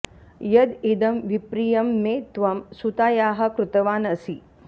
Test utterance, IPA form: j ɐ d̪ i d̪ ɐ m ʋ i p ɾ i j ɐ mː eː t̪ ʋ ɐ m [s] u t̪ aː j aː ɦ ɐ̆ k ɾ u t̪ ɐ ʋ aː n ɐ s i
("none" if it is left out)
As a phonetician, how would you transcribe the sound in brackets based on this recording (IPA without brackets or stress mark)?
s